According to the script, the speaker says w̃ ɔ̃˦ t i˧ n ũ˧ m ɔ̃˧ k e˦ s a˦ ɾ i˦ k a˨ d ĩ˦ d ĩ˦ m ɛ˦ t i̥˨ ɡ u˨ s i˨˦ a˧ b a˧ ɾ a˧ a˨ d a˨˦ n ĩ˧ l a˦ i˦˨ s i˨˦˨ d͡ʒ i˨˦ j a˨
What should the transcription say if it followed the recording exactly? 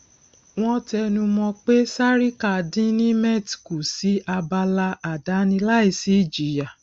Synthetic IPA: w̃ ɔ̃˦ t ɛ˧ n ũ˧ m ɔ̃˧ k͡p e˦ s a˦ ɾ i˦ k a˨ d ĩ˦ n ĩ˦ m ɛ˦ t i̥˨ k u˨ s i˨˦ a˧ b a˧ l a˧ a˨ d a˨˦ n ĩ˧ l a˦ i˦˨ s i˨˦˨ d͡ʒ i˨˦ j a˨

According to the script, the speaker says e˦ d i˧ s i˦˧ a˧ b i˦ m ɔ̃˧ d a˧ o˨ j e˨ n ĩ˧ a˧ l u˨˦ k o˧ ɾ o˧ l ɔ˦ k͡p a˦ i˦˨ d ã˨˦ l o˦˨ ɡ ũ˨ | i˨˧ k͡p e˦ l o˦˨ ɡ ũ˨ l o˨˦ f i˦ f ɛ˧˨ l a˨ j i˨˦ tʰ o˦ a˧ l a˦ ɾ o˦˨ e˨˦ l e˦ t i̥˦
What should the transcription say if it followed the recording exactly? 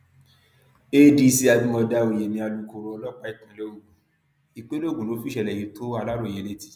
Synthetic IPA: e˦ d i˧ s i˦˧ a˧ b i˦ m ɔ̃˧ d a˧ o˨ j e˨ n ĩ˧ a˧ l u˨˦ k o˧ ɾ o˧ l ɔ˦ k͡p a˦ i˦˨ t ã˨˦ l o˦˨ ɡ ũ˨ | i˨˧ k͡p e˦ l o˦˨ ɡ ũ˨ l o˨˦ f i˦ ʃ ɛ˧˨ l ɛ˨ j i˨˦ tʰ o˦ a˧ l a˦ ɾ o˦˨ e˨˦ l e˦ t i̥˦

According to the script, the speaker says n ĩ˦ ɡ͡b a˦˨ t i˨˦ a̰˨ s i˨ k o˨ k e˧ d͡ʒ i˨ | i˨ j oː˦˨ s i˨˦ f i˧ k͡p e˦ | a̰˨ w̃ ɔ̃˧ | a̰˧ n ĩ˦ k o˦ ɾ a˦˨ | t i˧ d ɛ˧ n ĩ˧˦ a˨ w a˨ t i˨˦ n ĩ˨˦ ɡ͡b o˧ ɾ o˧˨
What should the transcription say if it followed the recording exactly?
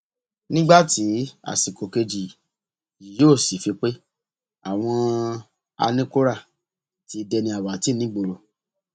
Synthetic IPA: n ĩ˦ ɡ͡b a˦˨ t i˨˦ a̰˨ s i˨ k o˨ k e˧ d͡ʒ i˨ | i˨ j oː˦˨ s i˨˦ f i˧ k͡p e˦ | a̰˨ w̃ ɔ̃˧ | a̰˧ n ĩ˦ k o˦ ɾ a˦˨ | t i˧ d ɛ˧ n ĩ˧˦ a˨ w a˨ t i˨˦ n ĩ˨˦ ɡ͡b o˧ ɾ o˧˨

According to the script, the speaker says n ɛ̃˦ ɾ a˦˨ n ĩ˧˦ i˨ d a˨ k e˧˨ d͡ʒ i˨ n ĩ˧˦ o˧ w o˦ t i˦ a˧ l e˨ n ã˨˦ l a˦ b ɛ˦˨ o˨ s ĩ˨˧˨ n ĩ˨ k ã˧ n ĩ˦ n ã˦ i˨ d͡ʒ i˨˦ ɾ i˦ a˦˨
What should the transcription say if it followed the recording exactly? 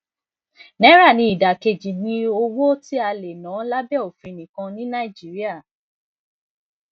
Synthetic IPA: n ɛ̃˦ ɾ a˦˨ n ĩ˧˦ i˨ d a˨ k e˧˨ d͡ʒ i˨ n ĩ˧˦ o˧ w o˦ t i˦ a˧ l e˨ n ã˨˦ l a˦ b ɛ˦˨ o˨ f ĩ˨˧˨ n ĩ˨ k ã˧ n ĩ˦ n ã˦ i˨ d͡ʒ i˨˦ ɾ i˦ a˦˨

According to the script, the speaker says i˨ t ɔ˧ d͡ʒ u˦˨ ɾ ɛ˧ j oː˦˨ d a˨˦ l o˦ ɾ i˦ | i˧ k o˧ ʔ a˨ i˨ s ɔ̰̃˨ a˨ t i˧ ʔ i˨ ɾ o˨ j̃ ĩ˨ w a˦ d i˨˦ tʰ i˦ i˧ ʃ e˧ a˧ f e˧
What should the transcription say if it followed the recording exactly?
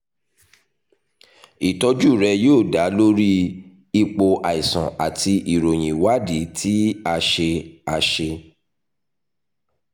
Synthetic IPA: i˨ t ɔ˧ d͡ʒ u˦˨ ɾ ɛ˧ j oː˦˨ d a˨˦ l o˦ ɾ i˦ | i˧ k͡p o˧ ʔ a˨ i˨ s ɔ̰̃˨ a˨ t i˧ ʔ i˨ ɾ o˨ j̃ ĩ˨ w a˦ d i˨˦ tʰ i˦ a˧ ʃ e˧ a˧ ʃ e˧

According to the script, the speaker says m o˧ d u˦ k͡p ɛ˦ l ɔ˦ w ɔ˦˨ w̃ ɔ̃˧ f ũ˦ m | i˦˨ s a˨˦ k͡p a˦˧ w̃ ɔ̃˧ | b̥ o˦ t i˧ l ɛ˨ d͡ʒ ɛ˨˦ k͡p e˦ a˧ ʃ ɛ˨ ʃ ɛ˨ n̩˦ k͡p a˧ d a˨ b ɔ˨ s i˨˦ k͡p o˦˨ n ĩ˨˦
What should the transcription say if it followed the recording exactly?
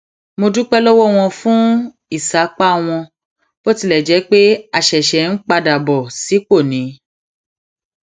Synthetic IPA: m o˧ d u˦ k͡p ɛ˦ l ɔ˦ w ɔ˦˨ w̃ ɔ̃˧ f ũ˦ | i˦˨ s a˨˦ k͡p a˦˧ w̃ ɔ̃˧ | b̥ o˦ t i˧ l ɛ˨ d͡ʒ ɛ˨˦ k͡p e˦ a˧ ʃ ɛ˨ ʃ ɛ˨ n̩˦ k͡p a˧ d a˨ b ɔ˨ s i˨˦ k͡p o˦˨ n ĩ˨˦

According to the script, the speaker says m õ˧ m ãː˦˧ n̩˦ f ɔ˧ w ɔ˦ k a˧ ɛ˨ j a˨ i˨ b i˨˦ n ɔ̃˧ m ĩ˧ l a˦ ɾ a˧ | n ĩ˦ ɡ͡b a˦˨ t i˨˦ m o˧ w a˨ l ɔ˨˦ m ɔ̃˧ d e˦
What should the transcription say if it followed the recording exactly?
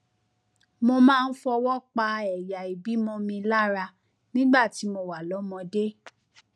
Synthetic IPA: m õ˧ m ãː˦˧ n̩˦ f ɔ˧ w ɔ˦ k͡p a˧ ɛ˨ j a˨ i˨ b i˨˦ m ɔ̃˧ m ĩ˧ l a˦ ɾ a˧ | n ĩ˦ ɡ͡b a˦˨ t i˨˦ m o˧ w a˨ l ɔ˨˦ m ɔ̃˧ d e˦

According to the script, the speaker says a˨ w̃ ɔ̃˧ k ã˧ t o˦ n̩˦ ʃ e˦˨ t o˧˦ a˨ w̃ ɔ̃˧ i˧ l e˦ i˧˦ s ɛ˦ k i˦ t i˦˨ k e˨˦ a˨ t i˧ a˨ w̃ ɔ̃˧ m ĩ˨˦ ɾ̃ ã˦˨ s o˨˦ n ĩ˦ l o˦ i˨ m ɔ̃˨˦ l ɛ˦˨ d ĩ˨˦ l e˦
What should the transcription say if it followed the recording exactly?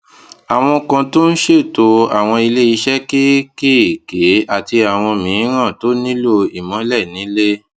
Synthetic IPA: a˨ w̃ ɔ̃˧ k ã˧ t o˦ n̩˦ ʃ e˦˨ t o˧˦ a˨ w̃ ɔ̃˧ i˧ l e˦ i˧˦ ʃ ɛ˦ k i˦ k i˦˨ k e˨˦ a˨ t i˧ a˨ w̃ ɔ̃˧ m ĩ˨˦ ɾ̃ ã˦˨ t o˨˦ n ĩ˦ l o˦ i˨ m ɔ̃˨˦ l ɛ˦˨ n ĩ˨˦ l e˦

